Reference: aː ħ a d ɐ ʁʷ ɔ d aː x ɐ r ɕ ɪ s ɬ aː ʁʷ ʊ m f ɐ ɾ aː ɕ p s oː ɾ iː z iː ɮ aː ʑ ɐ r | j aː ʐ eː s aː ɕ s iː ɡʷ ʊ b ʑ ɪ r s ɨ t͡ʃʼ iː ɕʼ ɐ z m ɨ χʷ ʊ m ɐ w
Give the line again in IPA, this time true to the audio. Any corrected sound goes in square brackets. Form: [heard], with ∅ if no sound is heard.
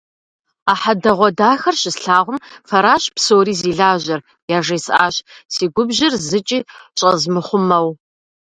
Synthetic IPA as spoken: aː ħ a d ɐ ʁʷ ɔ d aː x ɐ r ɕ ɪ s ɬ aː ʁʷ ʊ m f ɐ ɾ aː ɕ p s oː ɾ iː z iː ɮ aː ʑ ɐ r | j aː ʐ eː s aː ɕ s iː ɡʷ ʊ b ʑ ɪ r [z] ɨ t͡ʃʼ iː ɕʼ ɐ z m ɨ χʷ ʊ m ɐ w

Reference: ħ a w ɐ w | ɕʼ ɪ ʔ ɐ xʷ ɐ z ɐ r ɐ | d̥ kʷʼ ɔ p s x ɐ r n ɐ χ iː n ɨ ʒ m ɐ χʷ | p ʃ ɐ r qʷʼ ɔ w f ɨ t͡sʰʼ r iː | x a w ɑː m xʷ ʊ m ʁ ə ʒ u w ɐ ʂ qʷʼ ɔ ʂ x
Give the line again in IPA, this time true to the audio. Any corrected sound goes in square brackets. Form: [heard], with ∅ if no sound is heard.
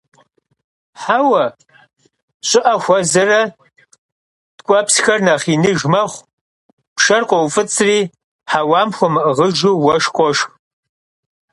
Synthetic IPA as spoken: ħ a w ɐ [∅] | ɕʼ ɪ ʔ ɐ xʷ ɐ z ɐ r ɐ | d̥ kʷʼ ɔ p s x ɐ r n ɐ χ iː n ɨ ʒ m ɐ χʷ | p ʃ ɐ r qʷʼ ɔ w f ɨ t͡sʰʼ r iː | [ħ] a w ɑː m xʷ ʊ m ʁ ə ʒ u w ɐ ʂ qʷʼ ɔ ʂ x

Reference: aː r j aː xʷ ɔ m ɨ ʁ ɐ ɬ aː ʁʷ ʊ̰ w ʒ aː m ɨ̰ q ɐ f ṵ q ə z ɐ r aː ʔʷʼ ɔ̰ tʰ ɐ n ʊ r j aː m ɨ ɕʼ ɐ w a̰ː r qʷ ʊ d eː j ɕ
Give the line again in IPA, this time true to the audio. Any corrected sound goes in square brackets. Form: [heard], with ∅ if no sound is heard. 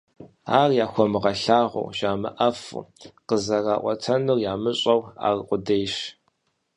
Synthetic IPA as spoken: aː r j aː xʷ ɔ m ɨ ʁ ɐ ɬ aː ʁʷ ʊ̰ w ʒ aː m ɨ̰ [ʔ] ɐ f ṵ q ə z ɐ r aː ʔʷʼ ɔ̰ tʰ ɐ n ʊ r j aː m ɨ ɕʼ ɐ w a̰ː r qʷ ʊ d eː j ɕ

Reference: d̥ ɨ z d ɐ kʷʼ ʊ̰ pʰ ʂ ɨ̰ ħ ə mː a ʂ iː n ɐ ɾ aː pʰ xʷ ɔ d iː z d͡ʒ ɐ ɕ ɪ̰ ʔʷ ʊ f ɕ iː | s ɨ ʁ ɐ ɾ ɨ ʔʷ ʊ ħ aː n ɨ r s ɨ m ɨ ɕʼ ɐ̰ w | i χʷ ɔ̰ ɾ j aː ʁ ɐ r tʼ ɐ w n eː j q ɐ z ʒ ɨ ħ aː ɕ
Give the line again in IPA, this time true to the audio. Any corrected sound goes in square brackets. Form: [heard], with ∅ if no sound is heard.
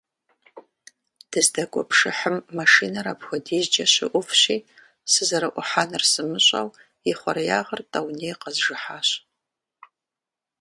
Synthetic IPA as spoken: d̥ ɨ z d ɐ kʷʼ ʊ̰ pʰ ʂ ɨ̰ ħ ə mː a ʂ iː n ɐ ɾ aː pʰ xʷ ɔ d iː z d͡ʒ ɐ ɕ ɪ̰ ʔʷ ʊ f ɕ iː | s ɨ [z] ɐ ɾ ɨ ʔʷ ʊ ħ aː n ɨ r s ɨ m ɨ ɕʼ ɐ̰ w | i χʷ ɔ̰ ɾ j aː ʁ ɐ r tʼ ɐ w n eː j q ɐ z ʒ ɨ ħ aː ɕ

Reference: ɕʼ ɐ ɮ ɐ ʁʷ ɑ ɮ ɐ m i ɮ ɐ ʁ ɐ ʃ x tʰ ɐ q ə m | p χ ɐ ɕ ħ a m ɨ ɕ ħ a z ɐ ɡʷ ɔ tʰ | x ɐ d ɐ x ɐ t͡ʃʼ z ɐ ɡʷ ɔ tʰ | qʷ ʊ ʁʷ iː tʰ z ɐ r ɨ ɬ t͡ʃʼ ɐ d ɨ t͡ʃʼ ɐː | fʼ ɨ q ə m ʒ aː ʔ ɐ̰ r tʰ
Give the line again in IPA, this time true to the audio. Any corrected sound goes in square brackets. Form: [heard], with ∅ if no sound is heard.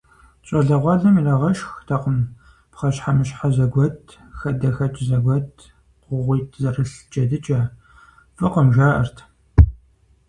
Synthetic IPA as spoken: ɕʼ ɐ ɮ ɐ ʁʷ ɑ ɮ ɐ m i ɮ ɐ ʁ ɐ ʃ x tʰ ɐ q ə m | p χ ɐ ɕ ħ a m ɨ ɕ ħ a z ɐ ɡʷ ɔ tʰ | x ɐ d ɐ x ɐ t͡ʃʼ z ɐ ɡʷ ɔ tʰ | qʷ ʊ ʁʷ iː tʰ z ɐ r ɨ ɬ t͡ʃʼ ɐ d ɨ t͡ʃʼ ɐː | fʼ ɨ q ə m ʒ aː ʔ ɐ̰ r tʰ

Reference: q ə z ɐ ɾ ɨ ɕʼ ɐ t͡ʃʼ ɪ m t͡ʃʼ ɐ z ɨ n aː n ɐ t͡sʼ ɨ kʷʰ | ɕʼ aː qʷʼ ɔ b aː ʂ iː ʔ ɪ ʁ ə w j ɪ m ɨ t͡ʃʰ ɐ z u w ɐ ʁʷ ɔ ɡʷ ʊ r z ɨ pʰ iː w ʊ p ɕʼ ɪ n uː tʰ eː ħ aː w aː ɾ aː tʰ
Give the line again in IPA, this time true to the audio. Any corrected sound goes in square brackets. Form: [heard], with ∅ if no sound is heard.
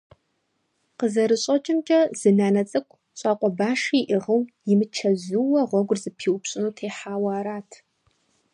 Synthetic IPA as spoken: q ə z ɐ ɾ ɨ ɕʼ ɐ t͡ʃʼ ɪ m t͡ʃʼ ɐ z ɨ n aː n ɐ t͡sʼ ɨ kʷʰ | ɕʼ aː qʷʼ ɔ b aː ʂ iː ʔ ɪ ʁ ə w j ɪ m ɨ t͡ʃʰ ɐ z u w ɐ ʁʷ ɔ ɡʷ ʊ r z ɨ pʰ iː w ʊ p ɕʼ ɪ n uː tʰ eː ħ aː w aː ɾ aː tʰ

